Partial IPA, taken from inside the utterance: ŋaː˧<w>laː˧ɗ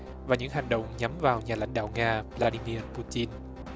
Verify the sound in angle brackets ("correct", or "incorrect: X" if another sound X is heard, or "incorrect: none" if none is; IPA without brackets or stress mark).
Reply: incorrect: v